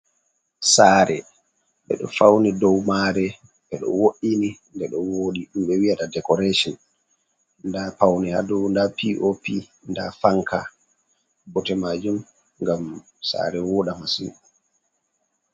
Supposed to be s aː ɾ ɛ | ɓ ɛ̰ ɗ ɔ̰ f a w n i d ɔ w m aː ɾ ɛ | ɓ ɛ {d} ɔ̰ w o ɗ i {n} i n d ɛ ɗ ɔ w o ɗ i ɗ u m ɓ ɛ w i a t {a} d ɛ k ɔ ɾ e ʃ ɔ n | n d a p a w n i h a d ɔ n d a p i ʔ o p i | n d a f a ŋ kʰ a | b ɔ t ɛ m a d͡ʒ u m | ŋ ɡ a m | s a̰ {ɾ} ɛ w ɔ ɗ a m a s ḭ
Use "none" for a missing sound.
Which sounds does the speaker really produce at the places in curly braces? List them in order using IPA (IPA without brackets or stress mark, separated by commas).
ɗ, n, a, ɾ